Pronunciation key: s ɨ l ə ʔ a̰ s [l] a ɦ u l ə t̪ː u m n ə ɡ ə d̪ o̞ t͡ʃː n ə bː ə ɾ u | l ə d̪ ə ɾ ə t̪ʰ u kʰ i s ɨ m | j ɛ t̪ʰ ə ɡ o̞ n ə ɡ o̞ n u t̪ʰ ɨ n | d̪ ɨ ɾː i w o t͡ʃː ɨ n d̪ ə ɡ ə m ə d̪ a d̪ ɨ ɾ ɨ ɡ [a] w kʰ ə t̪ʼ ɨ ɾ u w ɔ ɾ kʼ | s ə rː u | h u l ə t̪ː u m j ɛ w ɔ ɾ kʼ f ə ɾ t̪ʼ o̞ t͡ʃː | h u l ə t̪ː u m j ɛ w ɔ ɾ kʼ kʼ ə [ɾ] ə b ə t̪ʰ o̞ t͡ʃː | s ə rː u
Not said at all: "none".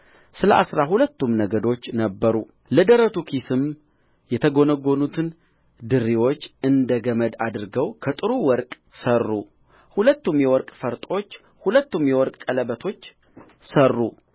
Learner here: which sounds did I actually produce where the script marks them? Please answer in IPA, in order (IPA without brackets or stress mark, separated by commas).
ɾ, ə, l